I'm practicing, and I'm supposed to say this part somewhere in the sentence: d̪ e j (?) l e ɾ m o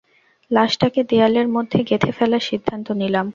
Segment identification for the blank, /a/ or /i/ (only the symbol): a